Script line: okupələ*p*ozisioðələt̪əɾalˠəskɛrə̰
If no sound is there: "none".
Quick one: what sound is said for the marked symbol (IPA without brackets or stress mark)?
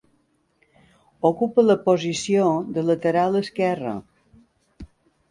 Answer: p